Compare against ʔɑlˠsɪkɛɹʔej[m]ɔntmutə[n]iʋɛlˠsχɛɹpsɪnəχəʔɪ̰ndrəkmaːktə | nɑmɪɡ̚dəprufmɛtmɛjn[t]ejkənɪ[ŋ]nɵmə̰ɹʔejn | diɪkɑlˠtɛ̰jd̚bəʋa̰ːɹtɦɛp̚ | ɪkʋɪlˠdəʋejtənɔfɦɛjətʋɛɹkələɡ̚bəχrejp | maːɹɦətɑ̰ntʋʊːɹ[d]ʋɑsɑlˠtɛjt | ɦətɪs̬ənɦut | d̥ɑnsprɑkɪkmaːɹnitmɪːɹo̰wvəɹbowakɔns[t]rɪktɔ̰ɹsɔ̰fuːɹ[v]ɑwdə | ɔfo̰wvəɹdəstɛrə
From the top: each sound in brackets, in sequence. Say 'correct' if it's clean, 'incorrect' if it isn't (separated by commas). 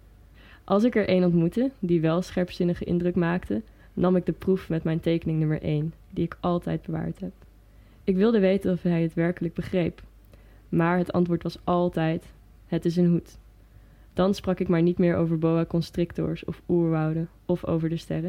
incorrect, incorrect, correct, correct, incorrect, correct, incorrect